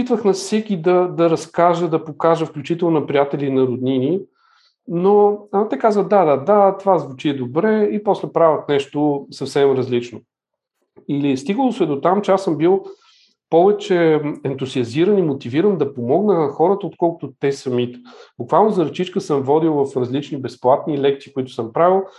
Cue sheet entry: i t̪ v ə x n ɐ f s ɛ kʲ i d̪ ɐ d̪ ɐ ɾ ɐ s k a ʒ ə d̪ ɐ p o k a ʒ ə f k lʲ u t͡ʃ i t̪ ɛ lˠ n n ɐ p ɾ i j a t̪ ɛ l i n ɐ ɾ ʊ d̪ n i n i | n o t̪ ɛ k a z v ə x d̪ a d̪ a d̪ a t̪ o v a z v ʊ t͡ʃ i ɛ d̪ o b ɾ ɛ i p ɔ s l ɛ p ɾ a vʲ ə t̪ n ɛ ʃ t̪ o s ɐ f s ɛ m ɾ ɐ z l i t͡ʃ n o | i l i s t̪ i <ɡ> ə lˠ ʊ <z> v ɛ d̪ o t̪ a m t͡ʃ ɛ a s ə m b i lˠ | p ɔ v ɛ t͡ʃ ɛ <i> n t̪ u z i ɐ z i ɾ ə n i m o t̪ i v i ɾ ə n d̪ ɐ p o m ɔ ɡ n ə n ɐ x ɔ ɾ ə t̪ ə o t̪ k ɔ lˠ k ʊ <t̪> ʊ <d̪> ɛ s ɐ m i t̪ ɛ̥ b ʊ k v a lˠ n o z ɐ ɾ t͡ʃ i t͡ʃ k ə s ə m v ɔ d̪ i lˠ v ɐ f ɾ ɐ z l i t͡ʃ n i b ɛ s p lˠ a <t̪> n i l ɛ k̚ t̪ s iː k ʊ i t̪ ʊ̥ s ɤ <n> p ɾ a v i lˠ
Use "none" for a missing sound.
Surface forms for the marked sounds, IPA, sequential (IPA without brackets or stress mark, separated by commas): ɡ, s, ɛ, t̪, t̪, t̪, m